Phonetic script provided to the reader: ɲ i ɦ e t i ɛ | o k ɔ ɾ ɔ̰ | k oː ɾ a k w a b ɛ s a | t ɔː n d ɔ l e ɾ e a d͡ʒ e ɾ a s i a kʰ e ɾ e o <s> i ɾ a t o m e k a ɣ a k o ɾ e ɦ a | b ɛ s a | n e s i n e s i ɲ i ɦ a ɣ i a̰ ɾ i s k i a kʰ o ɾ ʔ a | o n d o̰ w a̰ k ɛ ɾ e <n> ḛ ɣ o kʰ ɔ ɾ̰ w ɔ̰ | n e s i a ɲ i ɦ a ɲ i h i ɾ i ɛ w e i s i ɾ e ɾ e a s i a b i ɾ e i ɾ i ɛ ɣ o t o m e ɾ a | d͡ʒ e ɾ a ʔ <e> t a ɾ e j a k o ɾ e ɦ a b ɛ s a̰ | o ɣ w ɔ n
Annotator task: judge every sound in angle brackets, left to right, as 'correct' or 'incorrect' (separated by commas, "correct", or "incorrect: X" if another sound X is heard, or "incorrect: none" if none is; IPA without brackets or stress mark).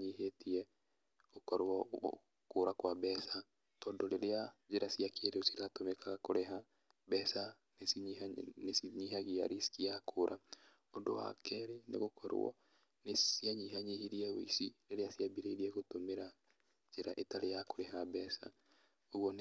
correct, correct, correct